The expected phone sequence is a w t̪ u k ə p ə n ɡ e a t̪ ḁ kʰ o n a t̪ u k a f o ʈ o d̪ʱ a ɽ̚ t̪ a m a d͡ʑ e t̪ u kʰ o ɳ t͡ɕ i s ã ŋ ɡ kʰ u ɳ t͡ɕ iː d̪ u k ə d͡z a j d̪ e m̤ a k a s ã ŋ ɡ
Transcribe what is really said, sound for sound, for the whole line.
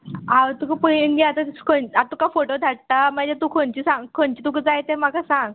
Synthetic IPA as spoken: a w t̪ u k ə p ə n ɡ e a t̪ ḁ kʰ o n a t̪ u k a f o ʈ o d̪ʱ a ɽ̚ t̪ a m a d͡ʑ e t̪ u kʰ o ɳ t͡ɕ i s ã ŋ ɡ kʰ o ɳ t͡ɕ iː t̪ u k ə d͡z a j t̪ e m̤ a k a s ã ŋ ɡ